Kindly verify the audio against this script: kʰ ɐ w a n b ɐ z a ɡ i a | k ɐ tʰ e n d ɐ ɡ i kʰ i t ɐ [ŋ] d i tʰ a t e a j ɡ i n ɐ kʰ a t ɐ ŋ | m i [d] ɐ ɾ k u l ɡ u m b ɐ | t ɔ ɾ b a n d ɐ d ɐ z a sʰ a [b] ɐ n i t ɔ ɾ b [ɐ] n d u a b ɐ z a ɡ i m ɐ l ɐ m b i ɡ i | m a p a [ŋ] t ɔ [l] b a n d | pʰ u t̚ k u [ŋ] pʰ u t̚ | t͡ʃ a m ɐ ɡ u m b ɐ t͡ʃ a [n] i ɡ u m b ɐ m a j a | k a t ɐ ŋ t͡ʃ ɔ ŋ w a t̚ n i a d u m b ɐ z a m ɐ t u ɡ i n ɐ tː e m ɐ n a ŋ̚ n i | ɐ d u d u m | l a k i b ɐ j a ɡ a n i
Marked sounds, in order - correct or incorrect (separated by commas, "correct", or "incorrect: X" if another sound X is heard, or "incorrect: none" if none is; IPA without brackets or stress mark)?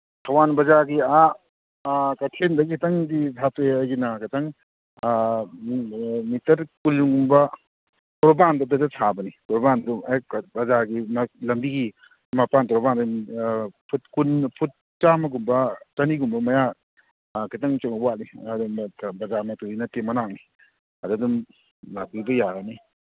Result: correct, incorrect: t, correct, incorrect: a, incorrect: n, incorrect: ɾ, incorrect: n, correct